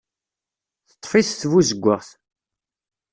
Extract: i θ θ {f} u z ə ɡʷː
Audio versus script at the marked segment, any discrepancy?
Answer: yes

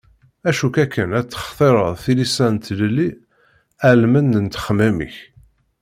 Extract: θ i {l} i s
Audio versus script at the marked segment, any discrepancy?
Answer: no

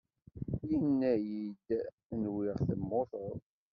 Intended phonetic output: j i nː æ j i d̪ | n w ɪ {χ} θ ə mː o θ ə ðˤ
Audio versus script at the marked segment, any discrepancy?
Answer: yes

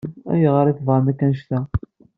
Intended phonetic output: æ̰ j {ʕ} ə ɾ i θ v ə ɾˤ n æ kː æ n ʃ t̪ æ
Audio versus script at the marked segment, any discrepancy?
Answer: yes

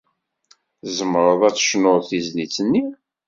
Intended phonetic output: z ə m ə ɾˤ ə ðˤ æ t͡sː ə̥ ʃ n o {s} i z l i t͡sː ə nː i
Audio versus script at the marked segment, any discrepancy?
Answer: yes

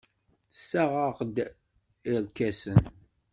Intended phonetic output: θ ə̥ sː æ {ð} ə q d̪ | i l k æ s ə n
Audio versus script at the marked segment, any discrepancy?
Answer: yes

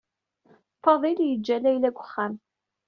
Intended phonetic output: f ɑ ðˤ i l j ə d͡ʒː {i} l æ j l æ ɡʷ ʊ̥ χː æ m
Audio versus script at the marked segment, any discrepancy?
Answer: yes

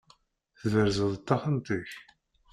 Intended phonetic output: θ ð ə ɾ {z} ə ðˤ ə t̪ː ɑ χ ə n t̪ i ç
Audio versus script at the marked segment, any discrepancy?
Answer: no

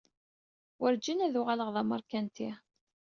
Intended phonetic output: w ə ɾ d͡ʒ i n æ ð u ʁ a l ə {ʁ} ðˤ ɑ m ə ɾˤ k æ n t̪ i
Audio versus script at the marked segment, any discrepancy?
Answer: no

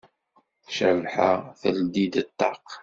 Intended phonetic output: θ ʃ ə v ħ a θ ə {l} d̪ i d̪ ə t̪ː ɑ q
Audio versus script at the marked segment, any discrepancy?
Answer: no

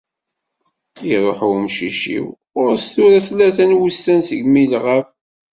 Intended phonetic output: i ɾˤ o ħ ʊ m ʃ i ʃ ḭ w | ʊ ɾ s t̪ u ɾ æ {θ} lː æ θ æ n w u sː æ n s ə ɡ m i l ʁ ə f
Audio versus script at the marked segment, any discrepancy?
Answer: no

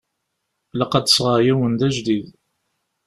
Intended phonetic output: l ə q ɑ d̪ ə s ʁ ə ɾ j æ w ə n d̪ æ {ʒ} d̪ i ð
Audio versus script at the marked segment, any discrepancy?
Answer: no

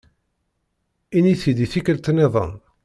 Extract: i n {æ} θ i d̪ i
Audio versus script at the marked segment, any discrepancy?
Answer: yes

